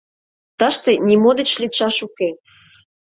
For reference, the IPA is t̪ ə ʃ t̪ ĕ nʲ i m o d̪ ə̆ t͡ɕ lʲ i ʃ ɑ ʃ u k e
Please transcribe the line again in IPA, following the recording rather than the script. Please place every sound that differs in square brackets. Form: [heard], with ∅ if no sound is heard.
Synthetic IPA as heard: t̪ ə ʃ t̪ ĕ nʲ i m o d̪ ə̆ t͡ɕ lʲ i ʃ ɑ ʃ u k e